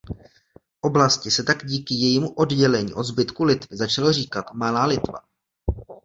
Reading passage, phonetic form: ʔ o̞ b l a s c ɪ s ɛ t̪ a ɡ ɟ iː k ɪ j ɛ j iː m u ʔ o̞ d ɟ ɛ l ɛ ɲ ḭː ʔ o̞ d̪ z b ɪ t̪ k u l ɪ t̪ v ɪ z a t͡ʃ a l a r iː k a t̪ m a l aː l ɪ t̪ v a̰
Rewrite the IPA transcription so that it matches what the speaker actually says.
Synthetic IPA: ʔ o̞ b l a s c ɪ s ɛ t̪ a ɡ ɟ iː k ɪ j ɛ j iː m u ʔ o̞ d ɟ ɛ l ɛ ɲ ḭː ʔ o̞ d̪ z b ɪ t̪ k u l ɪ t̪ v ɪ z a t͡ʃ a l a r iː k a t̪ m a l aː l ɪ t̪ v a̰